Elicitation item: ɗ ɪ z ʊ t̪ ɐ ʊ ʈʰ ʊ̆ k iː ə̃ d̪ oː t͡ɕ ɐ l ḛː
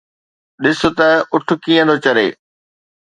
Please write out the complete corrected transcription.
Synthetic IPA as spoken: ɗ ɪ s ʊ t̪ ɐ ʊ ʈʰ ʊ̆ k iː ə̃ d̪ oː t͡ɕ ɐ ɾ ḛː